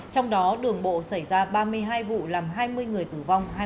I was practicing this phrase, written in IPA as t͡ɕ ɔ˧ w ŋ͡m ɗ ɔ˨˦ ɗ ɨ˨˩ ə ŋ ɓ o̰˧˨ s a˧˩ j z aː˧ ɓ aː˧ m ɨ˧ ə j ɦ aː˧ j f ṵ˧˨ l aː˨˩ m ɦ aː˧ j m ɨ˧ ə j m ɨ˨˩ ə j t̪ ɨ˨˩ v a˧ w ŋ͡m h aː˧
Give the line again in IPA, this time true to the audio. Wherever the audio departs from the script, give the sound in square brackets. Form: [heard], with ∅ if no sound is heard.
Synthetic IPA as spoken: t͡ɕ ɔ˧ w ŋ͡m ɗ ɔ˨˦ ɗ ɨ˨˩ ə ŋ ɓ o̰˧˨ s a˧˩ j z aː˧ ɓ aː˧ m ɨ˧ ə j ɦ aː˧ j [v] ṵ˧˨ l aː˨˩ m ɦ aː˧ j m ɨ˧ ə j [ŋ] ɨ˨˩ ə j t̪ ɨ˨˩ v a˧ w ŋ͡m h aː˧